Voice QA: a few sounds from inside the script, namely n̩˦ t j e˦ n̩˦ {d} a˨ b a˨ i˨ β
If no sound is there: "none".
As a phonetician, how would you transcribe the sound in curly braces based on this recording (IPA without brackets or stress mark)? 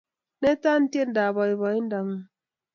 d